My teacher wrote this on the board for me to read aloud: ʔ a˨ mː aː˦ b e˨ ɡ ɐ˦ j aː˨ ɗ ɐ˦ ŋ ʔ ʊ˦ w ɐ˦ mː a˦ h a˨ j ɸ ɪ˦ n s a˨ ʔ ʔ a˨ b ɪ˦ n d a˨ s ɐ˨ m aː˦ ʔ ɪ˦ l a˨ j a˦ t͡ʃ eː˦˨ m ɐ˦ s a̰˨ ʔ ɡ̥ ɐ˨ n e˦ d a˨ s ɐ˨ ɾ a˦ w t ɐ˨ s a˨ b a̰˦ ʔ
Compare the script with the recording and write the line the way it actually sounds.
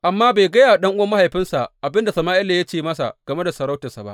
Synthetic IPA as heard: ʔ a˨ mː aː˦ b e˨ ɡ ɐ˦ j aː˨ ɗ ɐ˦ ŋ ʔ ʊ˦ w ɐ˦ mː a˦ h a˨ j ɸ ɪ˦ n s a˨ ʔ ʔ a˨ b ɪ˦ n d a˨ s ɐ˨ m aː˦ ʔ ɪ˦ l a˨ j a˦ t͡ʃ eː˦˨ m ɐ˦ s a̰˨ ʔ ɡ̥ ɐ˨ m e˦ d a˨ s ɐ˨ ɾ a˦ w t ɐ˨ s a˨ b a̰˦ ʔ